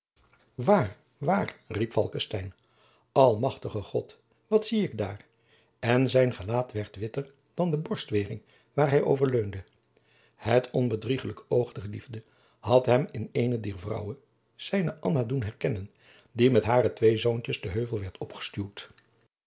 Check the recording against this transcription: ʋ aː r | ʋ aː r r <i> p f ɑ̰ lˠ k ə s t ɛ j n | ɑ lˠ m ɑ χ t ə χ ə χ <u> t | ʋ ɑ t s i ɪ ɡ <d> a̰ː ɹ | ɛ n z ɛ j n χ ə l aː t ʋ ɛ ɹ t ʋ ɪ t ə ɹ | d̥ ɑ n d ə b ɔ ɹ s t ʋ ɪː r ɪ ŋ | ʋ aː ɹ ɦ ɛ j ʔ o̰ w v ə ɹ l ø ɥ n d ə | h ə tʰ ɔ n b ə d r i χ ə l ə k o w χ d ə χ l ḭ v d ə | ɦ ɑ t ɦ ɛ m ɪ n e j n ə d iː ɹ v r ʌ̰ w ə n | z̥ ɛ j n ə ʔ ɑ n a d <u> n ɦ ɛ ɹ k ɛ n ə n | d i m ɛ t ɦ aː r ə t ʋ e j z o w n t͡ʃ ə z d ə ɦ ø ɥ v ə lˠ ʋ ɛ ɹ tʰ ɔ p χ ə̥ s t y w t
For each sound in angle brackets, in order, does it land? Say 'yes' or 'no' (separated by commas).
yes, no, yes, yes